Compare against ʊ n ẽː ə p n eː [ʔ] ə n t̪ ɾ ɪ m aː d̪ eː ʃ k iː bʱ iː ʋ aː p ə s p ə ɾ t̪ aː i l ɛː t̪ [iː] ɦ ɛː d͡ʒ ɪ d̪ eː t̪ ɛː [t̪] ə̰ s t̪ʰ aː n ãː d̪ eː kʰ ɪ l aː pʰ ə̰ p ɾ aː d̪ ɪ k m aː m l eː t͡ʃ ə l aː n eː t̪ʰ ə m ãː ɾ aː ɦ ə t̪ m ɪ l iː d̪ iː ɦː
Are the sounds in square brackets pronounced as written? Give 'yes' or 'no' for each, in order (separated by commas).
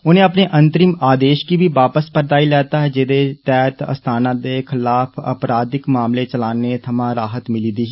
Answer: yes, no, yes